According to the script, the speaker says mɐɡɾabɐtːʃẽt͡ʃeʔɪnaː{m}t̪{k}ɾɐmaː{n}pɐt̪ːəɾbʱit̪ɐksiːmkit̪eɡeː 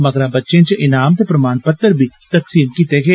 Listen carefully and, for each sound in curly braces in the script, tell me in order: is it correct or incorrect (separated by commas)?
correct, incorrect, correct